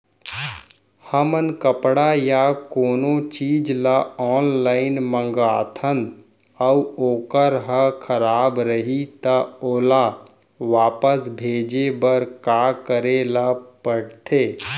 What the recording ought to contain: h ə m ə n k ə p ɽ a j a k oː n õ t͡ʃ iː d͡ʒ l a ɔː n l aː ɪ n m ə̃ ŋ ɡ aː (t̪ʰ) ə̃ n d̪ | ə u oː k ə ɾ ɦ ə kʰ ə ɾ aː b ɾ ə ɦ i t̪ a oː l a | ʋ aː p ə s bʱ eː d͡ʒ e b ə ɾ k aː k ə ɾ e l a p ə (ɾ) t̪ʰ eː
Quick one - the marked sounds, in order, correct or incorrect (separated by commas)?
correct, incorrect